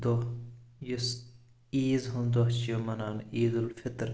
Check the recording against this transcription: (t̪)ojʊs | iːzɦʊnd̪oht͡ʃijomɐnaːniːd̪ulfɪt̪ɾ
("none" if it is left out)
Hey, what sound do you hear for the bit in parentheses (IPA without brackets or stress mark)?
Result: d̪